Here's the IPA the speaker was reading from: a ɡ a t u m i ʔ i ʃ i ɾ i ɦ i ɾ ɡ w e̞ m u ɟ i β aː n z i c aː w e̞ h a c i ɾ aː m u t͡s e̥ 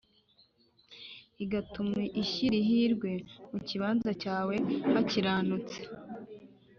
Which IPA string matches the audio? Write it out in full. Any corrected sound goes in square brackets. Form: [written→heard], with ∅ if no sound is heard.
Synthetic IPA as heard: [a→i] ɡ a t u m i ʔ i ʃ i ɾ i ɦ i ɾ ɡ w e̞ m u [ɟ→c] i β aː n z [i→a] c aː w e̞ h a c i ɾ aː [m→n] u t͡s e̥